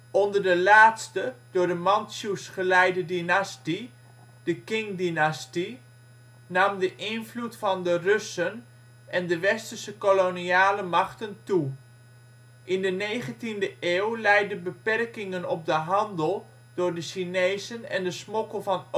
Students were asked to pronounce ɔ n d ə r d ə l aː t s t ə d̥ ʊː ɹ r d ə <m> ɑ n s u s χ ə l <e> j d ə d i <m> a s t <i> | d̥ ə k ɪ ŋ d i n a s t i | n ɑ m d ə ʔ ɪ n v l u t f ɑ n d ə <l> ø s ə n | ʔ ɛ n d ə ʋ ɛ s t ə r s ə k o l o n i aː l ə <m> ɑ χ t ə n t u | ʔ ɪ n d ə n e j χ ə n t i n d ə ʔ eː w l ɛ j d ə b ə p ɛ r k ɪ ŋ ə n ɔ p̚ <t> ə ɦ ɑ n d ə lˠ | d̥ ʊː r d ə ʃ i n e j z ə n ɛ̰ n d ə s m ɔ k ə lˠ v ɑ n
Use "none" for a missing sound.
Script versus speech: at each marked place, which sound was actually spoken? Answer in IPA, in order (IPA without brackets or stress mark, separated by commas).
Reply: m, ɛ, n, i, r, m, d